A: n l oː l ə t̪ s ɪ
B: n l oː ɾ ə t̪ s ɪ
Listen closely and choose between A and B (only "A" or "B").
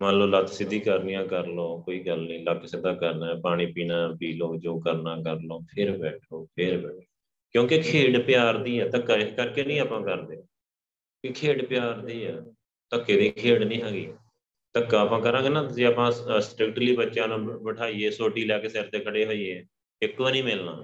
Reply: A